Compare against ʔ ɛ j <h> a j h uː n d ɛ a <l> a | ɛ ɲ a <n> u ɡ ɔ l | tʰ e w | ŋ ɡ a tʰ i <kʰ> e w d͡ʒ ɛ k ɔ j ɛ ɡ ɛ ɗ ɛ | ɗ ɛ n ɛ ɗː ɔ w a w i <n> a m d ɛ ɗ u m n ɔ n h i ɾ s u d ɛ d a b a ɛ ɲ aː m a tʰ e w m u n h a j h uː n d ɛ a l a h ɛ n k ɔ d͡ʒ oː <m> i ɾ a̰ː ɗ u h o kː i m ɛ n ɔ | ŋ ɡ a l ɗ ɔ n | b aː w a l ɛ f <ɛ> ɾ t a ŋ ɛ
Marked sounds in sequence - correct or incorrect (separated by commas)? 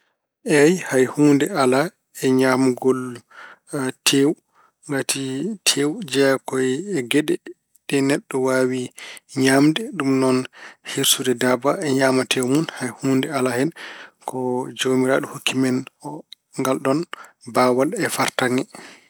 correct, correct, incorrect, incorrect, incorrect, correct, incorrect